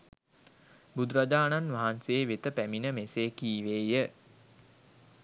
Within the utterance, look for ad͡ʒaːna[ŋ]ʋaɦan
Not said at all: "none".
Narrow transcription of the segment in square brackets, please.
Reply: n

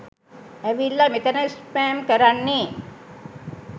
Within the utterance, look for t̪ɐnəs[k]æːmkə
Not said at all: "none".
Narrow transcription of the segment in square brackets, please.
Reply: p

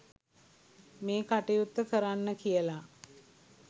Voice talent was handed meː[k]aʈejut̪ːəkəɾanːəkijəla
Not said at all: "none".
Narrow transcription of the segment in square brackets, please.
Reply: k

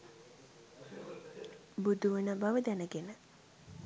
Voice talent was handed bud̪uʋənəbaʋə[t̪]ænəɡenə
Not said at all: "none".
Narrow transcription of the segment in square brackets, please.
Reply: d̪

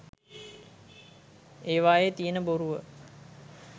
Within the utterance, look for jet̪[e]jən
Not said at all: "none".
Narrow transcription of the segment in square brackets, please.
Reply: i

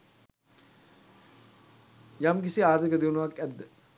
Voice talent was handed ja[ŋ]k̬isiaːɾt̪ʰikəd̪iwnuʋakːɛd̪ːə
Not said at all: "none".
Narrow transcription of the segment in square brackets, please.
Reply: m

